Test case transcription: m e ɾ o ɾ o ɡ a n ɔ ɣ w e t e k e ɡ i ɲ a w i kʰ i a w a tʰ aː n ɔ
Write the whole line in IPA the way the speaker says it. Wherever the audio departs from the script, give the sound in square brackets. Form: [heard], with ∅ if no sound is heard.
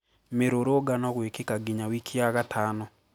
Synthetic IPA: m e ɾ o ɾ o ɡ a n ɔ ɣ w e [k] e k [a] ɡ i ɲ a w i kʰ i a [ɣ] a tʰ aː n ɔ